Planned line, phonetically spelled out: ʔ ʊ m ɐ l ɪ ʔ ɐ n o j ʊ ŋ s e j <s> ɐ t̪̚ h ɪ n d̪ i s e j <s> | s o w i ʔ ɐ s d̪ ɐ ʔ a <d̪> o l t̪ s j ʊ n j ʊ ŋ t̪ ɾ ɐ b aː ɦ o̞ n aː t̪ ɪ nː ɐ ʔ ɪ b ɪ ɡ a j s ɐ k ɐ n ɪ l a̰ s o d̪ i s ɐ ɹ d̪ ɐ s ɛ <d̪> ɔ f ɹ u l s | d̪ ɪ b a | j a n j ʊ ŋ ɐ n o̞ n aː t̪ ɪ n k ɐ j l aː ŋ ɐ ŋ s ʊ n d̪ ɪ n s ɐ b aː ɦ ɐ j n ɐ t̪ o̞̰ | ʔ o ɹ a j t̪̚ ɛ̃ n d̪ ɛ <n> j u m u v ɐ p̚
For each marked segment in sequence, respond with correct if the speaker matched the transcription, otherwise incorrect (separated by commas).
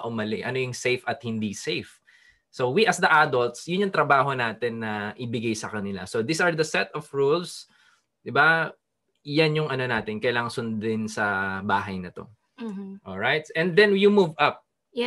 incorrect, incorrect, correct, incorrect, correct